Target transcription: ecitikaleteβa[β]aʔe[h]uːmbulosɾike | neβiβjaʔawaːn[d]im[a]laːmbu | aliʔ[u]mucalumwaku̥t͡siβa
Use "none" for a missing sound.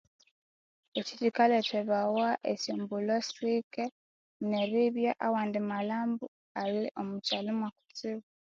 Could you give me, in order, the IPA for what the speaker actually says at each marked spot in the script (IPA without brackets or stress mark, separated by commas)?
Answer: w, s, d, a, o